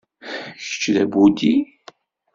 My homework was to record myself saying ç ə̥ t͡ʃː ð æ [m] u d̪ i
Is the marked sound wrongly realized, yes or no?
yes